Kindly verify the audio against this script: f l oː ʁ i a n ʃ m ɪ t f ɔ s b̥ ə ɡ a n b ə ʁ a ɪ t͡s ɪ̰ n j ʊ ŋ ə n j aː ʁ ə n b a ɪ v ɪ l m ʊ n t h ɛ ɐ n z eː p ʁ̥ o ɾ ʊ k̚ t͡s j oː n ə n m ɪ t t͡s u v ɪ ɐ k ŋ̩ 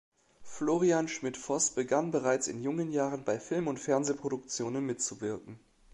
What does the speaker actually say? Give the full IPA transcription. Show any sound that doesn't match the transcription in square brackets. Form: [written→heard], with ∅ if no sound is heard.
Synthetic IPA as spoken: f l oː ʁ i a n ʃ m ɪ t f ɔ s b̥ ə ɡ a n b ə ʁ a ɪ t͡s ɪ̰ n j ʊ ŋ ə n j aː ʁ ə n b a ɪ [v→f] ɪ l m ʊ n t [h→f] ɛ ɐ n z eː p ʁ̥ o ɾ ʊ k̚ t͡s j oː n ə n m ɪ t t͡s u v ɪ ɐ k ŋ̩

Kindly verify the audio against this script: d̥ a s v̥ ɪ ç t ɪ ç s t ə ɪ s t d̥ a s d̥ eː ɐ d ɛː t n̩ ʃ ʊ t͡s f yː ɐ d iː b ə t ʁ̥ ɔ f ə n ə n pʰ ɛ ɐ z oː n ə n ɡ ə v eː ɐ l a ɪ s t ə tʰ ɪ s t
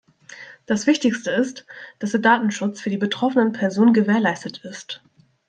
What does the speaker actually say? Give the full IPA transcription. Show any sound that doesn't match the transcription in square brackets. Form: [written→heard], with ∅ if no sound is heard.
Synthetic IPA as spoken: d̥ a s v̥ ɪ ç t ɪ ç s t ə ɪ s t d̥ a s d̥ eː ɐ d [ɛː→aː] t n̩ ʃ ʊ t͡s f yː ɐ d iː b ə t ʁ̥ ɔ f ə n ə n pʰ ɛ ɐ z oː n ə n ɡ ə v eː ɐ l a ɪ s t ə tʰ ɪ s t

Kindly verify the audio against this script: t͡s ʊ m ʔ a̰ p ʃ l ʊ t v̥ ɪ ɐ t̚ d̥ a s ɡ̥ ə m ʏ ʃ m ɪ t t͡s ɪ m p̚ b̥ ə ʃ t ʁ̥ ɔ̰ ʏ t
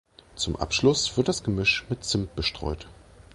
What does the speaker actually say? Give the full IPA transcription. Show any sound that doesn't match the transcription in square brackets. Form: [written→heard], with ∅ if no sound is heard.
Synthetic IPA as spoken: t͡s ʊ m ʔ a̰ p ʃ l ʊ [t→s] v̥ ɪ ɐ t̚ d̥ a s ɡ̥ ə m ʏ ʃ m ɪ t t͡s ɪ m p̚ b̥ ə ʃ t ʁ̥ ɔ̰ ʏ t

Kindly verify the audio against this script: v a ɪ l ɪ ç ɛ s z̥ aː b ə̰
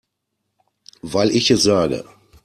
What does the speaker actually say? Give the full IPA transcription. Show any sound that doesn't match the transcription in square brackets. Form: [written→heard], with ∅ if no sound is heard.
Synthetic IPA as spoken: v a ɪ l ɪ ç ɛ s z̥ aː [b→ɡ] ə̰

